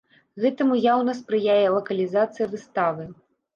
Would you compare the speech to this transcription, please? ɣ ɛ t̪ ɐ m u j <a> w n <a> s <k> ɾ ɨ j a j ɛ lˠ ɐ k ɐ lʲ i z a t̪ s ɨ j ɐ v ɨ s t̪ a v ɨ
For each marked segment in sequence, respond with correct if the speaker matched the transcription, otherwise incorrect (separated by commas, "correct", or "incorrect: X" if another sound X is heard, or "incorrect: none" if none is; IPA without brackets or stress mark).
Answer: correct, incorrect: ɐ, incorrect: p